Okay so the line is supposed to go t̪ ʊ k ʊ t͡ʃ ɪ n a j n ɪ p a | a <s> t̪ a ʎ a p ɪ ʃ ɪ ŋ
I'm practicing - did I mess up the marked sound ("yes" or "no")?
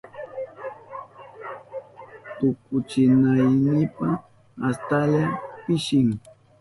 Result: no